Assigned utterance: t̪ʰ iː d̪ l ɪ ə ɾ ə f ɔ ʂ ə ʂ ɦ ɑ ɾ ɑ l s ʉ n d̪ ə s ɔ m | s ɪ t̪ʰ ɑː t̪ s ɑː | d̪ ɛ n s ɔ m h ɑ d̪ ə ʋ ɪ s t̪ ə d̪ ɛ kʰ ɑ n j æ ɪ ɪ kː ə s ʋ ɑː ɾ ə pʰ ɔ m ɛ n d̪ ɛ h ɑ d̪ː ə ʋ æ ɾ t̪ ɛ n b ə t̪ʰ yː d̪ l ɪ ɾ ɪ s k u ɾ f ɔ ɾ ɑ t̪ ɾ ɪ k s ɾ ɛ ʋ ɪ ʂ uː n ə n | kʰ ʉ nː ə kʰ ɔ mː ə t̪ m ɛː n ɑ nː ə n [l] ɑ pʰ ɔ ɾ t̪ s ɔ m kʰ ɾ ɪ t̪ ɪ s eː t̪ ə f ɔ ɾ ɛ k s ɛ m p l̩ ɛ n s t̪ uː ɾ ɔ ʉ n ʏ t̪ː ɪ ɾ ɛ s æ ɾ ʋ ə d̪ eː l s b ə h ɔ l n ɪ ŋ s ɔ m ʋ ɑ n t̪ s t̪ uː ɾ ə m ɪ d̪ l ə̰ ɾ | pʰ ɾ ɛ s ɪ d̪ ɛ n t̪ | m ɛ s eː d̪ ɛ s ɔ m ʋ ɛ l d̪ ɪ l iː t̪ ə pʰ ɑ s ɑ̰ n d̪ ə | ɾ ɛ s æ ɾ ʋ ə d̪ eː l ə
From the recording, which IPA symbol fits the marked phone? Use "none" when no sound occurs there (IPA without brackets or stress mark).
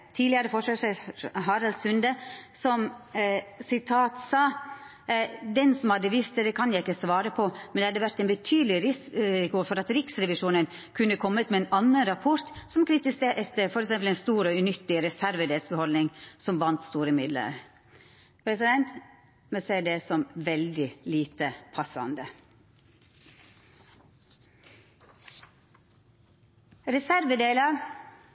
ɾ